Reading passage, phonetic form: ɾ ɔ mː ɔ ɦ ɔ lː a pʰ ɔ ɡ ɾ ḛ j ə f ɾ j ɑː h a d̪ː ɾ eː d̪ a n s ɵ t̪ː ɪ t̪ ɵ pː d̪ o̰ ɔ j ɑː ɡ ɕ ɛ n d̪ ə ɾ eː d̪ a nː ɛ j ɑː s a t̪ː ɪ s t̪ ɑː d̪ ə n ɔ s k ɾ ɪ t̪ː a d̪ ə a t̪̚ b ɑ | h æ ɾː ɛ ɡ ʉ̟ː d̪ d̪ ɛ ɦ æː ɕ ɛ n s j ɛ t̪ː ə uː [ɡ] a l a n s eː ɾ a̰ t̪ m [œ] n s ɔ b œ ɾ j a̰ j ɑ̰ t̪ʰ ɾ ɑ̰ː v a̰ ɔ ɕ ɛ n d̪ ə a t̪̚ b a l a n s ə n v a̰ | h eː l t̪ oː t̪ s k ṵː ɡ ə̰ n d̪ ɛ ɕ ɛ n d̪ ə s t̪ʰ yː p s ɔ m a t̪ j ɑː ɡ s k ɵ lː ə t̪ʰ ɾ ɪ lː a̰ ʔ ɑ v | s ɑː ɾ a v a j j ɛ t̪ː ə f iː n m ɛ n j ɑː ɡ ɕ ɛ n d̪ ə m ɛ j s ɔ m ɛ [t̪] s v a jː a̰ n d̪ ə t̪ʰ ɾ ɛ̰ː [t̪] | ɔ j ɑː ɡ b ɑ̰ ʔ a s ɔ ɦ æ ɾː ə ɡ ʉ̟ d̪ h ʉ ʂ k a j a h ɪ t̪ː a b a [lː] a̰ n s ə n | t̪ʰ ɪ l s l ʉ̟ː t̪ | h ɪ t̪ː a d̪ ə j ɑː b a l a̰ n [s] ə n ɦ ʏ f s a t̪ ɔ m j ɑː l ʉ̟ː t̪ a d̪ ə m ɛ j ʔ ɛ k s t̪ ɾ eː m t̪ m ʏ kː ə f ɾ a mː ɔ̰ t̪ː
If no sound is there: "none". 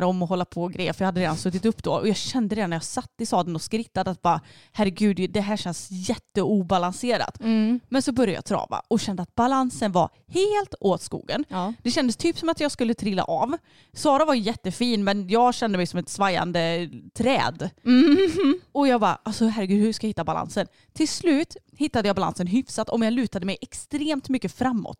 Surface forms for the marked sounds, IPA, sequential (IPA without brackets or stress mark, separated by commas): b, ɛ, t̪, d̪, l, s